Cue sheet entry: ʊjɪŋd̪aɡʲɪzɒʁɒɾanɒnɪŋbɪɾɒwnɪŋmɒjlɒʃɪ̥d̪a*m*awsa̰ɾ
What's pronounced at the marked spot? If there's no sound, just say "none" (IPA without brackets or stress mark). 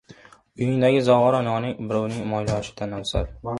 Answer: n